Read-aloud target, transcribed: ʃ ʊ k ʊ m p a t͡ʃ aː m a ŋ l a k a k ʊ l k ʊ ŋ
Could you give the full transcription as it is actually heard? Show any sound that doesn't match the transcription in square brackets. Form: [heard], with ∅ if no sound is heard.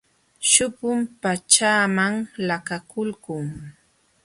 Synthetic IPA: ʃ ʊ [p] ʊ m p a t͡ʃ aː m a ŋ l a k a k ʊ l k ʊ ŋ